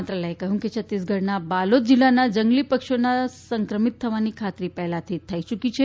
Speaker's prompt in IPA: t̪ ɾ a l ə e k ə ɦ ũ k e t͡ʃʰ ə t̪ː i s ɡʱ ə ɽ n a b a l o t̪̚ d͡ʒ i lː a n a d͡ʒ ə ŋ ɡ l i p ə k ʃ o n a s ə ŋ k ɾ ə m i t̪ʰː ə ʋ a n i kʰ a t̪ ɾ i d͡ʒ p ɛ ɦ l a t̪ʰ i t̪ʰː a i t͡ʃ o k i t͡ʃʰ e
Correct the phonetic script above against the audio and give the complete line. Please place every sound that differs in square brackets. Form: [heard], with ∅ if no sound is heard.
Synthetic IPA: t̪ ɾ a l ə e k ə ɦ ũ k e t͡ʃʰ ə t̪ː i s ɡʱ ə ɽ n a b a l o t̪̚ d͡ʒ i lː a n a d͡ʒ ə ŋ ɡ l i p ə k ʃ o n a s ə ŋ k ɾ ə m i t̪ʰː ə ʋ a n i kʰ a t̪ ɾ i [∅] p ɛ ɦ l a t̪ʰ i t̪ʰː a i t͡ʃ [u] k i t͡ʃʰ e